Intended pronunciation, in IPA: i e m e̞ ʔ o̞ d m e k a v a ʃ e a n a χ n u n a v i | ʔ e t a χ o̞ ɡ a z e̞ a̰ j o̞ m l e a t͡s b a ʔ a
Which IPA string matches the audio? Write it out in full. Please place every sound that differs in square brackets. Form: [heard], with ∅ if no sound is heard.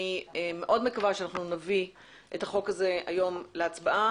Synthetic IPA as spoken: i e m e̞ ʔ o̞ d m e k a v a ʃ e a n a χ n u n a v i | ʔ e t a χ o̞ [k] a z e̞ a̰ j o̞ m l e a t͡s b a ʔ a